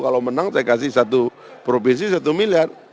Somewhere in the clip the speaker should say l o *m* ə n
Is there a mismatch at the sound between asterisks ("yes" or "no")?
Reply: no